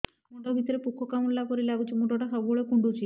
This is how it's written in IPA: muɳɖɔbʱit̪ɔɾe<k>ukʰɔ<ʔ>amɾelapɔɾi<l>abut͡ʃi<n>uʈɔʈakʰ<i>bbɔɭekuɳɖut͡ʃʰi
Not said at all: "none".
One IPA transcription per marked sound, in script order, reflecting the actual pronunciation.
p, k, l, m, a

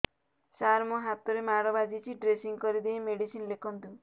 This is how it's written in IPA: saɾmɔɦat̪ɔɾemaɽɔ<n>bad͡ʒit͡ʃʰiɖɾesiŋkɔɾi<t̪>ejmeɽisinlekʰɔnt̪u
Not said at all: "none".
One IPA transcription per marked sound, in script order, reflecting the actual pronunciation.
none, d̪

